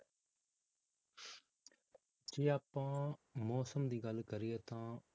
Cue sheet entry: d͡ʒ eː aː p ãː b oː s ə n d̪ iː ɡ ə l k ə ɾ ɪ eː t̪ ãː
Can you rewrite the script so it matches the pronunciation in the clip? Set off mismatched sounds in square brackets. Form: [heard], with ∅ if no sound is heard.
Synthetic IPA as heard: d͡ʒ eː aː p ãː [m] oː s ə [m] d̪ iː ɡ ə l k ə ɾ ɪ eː t̪ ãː